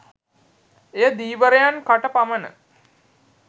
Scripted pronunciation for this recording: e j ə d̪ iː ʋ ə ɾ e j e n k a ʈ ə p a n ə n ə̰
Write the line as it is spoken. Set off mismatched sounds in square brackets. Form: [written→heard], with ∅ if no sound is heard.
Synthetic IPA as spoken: e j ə d̪ iː ʋ ə ɾ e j [e→a] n k a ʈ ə p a [n→m] ə n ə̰